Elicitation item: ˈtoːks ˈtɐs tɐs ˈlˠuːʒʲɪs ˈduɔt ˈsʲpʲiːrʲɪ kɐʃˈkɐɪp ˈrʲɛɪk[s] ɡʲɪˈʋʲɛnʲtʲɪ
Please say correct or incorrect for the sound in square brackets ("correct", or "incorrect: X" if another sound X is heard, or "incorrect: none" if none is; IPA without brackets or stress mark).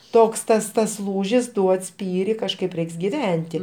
correct